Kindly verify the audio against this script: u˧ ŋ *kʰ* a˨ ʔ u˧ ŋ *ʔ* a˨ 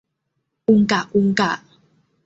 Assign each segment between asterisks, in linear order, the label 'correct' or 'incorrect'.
incorrect: k, incorrect: k

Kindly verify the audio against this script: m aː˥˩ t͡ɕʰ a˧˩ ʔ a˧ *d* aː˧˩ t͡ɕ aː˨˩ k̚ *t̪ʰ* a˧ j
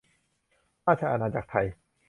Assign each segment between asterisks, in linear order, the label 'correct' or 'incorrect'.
incorrect: n, correct

